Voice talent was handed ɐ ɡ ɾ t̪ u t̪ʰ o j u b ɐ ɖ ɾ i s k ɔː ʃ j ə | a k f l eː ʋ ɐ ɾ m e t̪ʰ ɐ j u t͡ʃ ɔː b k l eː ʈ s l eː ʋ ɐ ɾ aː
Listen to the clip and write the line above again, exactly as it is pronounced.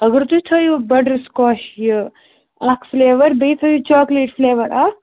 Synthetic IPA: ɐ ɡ ɾ t̪ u t̪ʰ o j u b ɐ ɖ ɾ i s k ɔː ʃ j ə | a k f l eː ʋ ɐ ɾ b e t̪ʰ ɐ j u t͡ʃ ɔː k l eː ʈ f l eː ʋ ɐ ɾ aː